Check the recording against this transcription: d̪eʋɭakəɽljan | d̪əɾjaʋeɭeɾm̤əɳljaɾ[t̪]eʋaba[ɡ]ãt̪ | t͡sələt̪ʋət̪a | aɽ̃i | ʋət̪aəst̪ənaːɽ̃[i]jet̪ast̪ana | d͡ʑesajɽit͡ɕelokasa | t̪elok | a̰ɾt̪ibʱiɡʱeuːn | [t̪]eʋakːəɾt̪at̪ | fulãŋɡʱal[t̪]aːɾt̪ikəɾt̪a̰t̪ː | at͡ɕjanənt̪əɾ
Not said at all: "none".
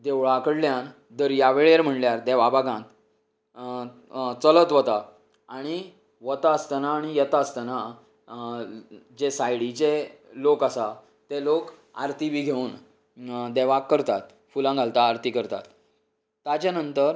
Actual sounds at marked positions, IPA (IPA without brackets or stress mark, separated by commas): d̪, ɡ, i, d̪, t̪